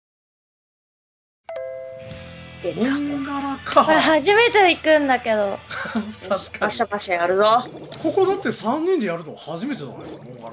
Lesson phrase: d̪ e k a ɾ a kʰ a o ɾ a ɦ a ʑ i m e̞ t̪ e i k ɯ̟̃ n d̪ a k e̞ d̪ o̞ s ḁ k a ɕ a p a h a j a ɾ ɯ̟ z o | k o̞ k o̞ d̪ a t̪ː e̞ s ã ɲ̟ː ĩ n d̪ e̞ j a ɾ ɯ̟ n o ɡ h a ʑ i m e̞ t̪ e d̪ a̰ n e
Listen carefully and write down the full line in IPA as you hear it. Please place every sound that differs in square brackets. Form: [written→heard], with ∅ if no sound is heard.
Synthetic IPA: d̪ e [k→ɡ] a ɾ a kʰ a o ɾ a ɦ a ʑ i m e̞ t̪ e i k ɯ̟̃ n d̪ a k e̞ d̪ o̞ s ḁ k a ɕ a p a [h→ɕ] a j a ɾ ɯ̟ z o | k o̞ k o̞ d̪ a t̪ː e̞ s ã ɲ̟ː ĩ n d̪ e̞ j a ɾ ɯ̟ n o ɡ h a ʑ i m e̞ t̪ e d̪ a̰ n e